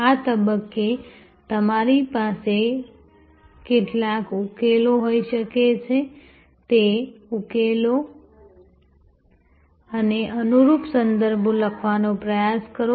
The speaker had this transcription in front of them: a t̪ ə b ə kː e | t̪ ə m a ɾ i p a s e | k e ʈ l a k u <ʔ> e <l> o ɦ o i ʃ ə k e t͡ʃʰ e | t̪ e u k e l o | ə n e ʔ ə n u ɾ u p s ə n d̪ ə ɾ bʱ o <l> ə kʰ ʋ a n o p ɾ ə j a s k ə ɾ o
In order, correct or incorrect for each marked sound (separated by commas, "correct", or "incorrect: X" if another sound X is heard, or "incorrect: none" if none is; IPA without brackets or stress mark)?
incorrect: k, correct, correct